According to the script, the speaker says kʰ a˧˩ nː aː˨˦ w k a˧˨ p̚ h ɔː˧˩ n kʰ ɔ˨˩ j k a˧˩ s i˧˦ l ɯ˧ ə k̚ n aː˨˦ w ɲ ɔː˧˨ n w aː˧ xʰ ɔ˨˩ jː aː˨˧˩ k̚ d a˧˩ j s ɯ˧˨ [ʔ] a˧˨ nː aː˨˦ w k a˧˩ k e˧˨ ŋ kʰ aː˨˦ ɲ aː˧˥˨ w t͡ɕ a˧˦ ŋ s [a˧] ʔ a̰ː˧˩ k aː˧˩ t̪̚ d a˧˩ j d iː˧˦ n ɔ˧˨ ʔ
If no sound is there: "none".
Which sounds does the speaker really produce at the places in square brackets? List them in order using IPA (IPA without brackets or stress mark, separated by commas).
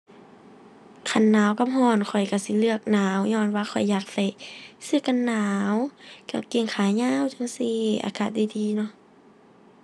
k, i˧